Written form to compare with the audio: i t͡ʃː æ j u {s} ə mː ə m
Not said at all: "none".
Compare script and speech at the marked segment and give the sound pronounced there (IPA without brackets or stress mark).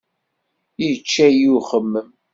χ